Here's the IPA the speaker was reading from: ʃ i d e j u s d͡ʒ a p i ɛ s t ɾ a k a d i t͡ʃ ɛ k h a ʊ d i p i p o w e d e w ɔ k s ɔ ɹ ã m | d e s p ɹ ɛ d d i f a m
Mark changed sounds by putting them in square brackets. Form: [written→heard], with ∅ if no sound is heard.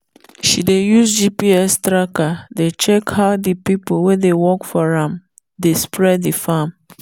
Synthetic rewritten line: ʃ i d e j u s d͡ʒ [a→i] p i ɛ s t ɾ a k a d [i→e] t͡ʃ ɛ k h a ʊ d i p i p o w e d e w ɔ k [s→f] ɔ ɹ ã m | d e s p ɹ ɛ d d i f a m